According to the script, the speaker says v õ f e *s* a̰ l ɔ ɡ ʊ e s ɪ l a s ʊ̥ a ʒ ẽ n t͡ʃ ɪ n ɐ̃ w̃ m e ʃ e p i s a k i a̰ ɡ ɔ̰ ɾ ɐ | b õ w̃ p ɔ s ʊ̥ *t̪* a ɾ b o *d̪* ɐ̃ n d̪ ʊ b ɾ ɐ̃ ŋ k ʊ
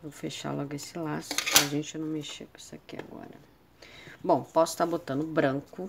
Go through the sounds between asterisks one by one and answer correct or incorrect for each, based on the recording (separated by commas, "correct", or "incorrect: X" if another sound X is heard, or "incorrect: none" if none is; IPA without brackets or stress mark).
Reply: incorrect: ʃ, correct, incorrect: t̪